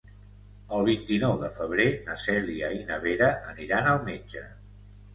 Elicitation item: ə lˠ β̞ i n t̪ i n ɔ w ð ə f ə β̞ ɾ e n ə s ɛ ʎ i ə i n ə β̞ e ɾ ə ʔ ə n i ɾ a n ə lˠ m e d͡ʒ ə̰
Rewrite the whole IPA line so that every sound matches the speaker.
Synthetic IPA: ə lˠ β̞ i n t̪ i n ɔ w ð ə f ə β̞ ɾ e n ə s ɛ l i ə i n ə β̞ e ɾ ə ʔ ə n i ɾ a n ə lˠ m e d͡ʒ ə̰